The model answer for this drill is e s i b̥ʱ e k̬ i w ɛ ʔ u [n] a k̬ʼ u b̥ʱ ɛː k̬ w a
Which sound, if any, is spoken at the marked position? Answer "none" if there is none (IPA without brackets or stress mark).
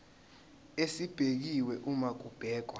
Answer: m